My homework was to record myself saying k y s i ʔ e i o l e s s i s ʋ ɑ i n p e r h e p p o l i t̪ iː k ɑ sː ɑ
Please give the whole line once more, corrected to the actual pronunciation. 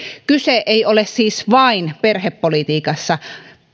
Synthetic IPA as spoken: k y s e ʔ e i o l e s s iː s ʋ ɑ i n p e r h e p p o l i t̪ iː k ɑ sː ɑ